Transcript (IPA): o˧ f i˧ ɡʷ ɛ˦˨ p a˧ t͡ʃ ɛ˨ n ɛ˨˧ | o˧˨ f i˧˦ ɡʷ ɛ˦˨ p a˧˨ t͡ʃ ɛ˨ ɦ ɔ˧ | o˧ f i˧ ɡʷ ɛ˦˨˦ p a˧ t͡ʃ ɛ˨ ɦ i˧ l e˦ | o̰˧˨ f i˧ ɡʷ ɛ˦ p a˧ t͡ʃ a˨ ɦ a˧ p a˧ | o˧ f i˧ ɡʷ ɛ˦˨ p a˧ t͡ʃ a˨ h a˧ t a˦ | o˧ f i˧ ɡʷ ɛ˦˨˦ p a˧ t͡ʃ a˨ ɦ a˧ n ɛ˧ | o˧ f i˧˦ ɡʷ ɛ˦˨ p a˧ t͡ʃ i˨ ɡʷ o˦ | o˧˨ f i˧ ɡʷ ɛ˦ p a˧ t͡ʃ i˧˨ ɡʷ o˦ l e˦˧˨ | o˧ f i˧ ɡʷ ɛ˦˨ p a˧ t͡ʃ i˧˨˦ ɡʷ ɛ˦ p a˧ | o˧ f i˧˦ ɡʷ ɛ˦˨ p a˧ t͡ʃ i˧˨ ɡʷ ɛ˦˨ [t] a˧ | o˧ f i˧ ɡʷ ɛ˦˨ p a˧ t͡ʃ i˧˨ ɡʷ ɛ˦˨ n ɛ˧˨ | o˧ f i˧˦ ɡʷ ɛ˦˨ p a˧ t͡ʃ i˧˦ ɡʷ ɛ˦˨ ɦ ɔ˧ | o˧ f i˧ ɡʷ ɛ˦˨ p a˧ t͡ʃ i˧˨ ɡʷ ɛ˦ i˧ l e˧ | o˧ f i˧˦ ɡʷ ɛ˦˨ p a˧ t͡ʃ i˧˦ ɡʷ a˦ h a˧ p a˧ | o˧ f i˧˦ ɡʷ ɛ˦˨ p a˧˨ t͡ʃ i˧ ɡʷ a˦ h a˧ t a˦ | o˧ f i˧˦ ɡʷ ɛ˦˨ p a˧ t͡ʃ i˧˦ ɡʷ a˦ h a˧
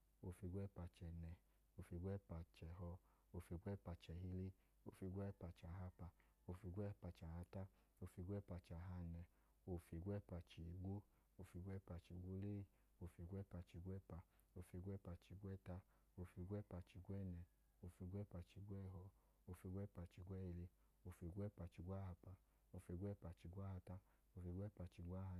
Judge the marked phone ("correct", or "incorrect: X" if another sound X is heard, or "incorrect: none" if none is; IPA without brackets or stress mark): correct